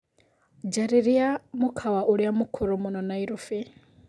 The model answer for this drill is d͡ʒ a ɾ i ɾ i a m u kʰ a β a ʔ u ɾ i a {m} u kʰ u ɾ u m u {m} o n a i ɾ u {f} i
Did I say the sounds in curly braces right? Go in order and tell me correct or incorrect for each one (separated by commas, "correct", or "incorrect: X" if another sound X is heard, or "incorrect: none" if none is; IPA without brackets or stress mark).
correct, incorrect: n, correct